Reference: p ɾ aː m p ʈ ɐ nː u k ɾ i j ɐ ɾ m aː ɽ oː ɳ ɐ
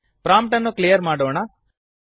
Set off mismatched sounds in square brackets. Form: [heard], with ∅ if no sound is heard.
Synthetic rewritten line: p ɾ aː m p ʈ ɐ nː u k [l] i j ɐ ɾ m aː ɽ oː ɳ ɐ